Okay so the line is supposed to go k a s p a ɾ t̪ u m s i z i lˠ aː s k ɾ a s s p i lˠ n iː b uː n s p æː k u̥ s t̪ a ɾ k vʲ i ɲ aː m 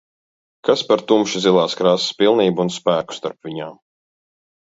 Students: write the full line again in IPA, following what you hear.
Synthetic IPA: k a s p a ɾ t̪ u m ʃ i z i lˠ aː s k ɾ a s s p i lˠ n iː b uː n s p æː k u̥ s t̪ a ɾ p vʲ i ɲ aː m